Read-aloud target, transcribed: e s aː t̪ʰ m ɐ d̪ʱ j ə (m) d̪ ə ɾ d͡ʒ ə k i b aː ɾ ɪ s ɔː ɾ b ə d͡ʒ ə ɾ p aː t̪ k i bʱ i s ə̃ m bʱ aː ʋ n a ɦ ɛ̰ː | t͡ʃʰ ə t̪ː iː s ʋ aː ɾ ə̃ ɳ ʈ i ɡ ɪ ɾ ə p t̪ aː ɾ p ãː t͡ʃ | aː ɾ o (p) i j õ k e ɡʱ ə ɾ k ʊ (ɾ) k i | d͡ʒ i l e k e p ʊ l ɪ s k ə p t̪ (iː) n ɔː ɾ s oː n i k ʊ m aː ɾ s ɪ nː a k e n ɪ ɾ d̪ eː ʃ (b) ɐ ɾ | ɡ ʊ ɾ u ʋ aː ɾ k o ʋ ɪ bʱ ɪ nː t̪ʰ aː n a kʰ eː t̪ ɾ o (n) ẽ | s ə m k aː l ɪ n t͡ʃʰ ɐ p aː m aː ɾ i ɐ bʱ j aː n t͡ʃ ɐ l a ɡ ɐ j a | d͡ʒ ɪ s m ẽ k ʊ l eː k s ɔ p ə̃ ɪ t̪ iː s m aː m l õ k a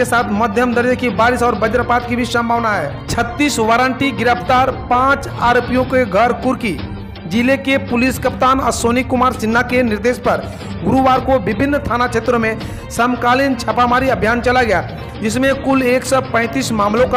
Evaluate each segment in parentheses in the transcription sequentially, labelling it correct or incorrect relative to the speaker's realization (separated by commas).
correct, correct, correct, incorrect, incorrect, incorrect